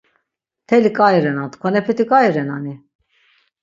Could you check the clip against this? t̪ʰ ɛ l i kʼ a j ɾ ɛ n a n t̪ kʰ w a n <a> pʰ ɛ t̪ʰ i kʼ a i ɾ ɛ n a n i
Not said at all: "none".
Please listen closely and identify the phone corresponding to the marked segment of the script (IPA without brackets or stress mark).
ɛ